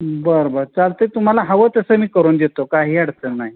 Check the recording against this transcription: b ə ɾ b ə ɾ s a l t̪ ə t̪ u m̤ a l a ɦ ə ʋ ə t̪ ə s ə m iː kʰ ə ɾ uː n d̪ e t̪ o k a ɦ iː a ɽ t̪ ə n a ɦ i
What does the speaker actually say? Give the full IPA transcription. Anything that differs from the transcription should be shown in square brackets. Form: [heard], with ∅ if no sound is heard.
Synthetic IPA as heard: b ə ɾ b ə ɾ [t͡s] a l t̪ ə t̪ u m̤ a l a ɦ ə ʋ ə t̪ ə s ə m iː [k] ə ɾ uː n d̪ e t̪ o k a ɦ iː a ɽ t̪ ə n a ɦ i